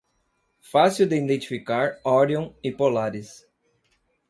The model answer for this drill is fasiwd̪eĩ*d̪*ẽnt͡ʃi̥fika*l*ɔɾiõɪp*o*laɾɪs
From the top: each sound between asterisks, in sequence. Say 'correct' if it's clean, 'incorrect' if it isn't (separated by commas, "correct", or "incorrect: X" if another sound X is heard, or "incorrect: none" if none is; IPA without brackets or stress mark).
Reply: correct, incorrect: ɾ, correct